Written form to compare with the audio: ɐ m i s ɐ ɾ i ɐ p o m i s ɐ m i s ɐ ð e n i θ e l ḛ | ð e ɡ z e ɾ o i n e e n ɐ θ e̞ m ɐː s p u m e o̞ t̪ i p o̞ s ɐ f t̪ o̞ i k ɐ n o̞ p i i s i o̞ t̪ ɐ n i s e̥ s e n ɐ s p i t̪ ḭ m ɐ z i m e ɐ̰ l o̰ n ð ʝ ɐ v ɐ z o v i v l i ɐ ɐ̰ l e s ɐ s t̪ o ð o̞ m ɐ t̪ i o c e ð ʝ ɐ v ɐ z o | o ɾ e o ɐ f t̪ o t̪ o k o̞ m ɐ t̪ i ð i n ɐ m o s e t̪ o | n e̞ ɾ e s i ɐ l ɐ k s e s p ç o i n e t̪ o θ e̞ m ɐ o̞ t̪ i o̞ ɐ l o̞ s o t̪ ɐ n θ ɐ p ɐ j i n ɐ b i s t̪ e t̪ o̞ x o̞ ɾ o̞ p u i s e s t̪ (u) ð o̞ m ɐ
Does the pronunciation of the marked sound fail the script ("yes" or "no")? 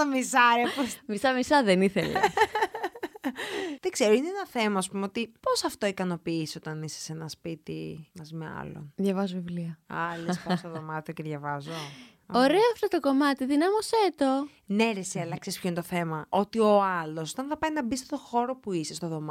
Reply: yes